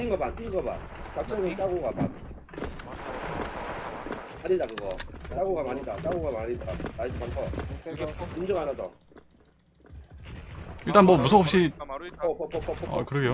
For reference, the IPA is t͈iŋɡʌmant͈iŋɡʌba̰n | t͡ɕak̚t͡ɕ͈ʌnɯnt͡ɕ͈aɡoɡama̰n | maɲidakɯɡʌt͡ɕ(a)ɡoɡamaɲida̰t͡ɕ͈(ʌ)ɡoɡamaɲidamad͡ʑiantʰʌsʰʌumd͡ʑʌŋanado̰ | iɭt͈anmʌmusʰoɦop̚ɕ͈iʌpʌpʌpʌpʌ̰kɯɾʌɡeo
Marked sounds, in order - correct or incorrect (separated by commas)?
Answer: correct, incorrect